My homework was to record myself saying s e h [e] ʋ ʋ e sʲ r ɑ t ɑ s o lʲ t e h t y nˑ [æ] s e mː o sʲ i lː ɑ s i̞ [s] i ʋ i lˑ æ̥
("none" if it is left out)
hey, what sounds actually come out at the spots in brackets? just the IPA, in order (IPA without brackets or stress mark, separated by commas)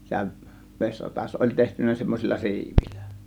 æ, æ, none